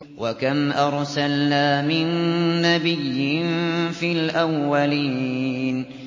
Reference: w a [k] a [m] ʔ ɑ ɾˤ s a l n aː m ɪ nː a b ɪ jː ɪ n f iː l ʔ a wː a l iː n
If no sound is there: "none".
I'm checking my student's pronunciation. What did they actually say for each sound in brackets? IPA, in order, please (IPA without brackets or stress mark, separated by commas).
k, m